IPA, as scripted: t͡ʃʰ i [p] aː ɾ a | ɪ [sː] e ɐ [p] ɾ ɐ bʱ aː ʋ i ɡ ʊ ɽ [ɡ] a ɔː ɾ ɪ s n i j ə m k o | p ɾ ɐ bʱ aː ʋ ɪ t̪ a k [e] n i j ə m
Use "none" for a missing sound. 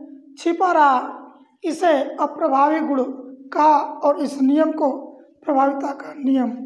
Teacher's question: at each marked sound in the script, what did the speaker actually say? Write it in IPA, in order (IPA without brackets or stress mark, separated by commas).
p, s, p, k, a